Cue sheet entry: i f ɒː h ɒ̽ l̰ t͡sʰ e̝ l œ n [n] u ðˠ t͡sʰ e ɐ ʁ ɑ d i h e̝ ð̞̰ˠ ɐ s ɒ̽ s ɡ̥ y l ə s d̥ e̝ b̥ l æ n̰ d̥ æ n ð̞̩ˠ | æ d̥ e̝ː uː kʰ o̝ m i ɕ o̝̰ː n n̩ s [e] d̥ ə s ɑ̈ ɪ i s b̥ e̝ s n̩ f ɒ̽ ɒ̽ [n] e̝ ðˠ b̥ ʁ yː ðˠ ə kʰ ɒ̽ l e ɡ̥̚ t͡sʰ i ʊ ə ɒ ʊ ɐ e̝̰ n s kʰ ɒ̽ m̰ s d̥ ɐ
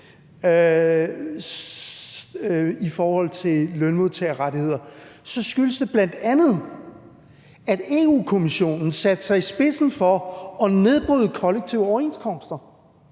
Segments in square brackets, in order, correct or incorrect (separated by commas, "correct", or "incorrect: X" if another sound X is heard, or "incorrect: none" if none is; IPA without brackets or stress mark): incorrect: m, incorrect: æ, correct